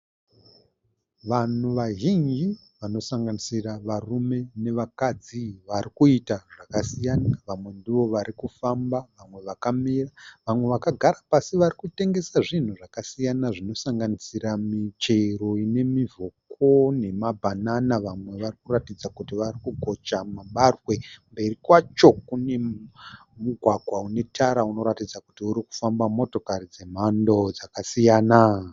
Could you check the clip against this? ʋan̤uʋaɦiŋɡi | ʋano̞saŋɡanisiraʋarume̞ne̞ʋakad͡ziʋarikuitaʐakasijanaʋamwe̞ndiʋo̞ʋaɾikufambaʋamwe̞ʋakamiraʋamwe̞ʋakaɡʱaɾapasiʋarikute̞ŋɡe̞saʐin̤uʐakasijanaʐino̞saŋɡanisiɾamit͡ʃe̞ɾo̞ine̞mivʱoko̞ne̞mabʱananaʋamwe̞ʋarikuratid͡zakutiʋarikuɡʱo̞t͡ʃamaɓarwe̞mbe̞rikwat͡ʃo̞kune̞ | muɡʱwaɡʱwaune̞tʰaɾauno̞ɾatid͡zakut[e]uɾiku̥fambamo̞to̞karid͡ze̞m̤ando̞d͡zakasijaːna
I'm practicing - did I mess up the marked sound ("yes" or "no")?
yes